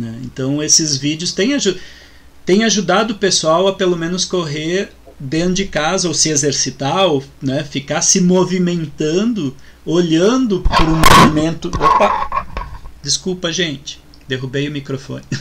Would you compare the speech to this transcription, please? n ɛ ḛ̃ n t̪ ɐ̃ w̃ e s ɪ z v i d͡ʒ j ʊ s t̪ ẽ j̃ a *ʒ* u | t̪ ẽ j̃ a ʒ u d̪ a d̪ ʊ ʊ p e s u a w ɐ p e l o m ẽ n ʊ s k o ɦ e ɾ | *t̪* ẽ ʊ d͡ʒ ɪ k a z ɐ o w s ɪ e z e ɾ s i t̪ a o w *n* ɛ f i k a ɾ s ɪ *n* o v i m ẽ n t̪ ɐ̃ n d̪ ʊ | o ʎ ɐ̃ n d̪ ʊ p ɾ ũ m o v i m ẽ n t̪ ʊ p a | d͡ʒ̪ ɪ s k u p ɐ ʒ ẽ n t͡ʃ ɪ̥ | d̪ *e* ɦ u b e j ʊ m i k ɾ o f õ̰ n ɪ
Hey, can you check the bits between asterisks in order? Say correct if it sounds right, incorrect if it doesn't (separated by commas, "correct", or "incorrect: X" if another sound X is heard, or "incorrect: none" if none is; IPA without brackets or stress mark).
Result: correct, incorrect: d̪, correct, incorrect: m, correct